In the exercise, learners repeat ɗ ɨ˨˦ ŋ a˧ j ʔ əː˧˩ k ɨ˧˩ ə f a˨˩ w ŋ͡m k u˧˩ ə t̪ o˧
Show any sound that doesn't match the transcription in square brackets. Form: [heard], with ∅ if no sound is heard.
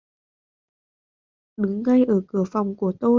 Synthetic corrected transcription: ɗ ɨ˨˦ [ŋː] a˧ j ʔ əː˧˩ k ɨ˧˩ ə f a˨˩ w ŋ͡m k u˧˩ ə t̪ o˧